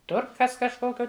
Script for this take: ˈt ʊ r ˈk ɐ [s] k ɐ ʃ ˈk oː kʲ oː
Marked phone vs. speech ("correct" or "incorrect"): correct